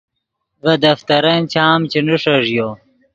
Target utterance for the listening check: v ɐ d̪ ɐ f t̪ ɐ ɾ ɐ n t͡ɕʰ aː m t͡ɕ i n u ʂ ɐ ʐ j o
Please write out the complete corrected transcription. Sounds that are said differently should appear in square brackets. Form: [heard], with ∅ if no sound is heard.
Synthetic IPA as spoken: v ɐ d̪ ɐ f t̪ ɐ ɾ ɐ n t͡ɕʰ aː m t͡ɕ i n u ʂ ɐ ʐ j o